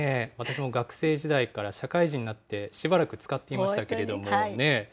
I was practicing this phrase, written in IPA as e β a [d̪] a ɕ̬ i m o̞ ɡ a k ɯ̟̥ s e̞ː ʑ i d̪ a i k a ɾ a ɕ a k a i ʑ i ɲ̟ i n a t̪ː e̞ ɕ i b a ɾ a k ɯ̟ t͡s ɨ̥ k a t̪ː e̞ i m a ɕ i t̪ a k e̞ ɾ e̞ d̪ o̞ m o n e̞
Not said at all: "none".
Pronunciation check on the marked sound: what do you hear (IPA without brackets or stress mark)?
t̪